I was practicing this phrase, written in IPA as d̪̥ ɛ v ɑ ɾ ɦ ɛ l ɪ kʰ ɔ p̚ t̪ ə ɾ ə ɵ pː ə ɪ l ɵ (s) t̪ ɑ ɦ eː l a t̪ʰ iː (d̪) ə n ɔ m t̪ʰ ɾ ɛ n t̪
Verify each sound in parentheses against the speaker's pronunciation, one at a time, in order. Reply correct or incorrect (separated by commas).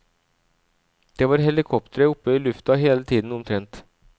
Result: incorrect, correct